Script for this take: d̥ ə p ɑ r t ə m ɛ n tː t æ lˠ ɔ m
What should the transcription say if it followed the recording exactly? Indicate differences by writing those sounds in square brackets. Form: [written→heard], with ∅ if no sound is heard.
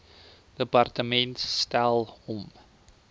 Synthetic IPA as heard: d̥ ə p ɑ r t ə m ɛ n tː t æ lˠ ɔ m